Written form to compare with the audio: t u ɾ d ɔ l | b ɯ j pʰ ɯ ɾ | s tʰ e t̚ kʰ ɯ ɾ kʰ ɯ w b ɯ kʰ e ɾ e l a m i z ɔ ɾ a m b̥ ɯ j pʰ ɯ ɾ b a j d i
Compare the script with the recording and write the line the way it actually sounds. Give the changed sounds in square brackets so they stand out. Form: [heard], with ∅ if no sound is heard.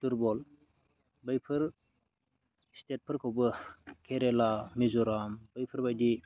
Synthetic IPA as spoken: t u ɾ [b] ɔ l | b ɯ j pʰ ɯ ɾ | s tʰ e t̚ [pʰ] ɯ ɾ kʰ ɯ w b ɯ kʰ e ɾ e l a m i z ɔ ɾ a m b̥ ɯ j pʰ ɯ ɾ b a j d i